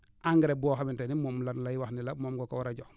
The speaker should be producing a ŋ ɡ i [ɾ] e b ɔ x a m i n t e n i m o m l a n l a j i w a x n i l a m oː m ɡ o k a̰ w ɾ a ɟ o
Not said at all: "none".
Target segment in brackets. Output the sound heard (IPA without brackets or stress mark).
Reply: ɾ